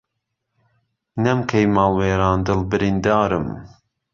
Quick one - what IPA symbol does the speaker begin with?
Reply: n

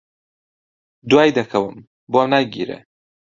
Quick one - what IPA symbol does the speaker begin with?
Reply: d̪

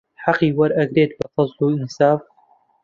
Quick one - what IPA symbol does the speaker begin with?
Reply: ħ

